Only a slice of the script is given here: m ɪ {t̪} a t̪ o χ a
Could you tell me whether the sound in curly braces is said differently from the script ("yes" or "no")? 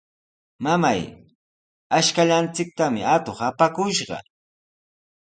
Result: yes